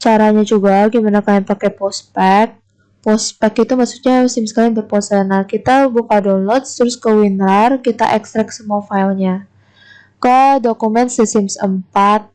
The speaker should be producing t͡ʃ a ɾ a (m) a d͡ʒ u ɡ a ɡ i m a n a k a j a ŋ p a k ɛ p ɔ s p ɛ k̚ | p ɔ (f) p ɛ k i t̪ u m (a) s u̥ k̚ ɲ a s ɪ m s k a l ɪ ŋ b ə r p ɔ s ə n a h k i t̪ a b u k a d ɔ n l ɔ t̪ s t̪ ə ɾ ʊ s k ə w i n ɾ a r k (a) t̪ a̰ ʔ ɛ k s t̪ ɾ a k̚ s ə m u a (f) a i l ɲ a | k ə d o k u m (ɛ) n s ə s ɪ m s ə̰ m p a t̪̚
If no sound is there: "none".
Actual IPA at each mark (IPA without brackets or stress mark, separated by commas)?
ɲ, s, a, i, f, ɛ